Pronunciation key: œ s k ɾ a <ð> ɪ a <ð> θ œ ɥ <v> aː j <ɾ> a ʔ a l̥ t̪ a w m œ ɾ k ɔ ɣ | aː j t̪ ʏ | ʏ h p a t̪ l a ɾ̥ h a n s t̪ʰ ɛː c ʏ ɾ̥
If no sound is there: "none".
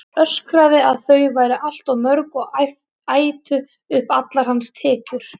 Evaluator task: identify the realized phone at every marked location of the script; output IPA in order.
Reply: ð, ð, v, ɾ

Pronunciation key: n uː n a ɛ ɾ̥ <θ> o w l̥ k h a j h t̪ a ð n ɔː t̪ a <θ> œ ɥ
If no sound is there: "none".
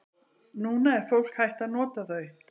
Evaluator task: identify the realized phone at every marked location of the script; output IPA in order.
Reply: f, θ

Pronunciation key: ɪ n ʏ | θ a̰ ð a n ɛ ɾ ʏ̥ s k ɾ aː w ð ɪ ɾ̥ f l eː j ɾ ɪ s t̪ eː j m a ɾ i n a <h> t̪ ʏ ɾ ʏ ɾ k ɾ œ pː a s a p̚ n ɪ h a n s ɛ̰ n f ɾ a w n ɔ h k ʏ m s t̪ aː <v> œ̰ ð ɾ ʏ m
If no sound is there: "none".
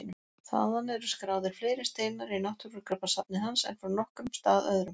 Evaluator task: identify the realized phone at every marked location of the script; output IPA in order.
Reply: h, ð

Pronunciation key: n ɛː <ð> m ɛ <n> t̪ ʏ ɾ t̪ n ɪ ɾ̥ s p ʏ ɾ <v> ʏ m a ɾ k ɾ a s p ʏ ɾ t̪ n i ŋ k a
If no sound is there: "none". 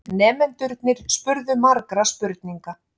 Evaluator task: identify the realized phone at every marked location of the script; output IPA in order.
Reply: none, n, ð

